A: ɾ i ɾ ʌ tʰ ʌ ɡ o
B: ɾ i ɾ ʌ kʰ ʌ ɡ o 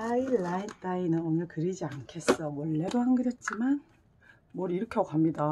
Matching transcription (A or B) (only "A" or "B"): B